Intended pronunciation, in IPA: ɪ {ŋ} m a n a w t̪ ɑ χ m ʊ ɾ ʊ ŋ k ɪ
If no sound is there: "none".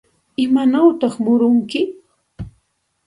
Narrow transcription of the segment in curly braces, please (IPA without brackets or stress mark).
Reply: none